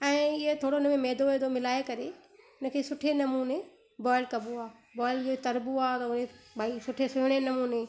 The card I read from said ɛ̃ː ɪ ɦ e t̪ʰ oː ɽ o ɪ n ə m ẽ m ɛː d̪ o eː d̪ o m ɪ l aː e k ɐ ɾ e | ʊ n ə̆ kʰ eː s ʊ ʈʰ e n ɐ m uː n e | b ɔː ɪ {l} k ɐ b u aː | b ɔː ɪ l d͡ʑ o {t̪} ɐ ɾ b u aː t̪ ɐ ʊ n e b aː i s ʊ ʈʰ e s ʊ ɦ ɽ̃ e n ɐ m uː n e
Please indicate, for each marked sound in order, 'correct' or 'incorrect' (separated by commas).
correct, correct